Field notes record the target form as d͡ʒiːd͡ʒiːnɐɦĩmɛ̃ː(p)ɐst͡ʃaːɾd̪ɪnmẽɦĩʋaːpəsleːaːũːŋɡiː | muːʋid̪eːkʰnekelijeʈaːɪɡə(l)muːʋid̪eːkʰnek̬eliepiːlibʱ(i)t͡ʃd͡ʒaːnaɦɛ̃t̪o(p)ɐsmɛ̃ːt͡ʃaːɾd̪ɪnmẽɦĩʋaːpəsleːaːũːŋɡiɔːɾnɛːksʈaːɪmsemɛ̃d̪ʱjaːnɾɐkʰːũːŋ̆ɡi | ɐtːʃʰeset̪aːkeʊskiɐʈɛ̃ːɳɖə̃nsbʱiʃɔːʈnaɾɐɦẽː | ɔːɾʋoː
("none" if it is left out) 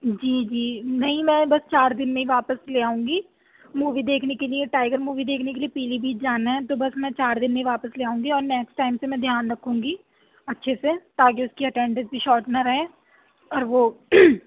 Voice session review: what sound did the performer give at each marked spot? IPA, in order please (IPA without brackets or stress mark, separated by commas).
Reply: b, ɾ, iː, b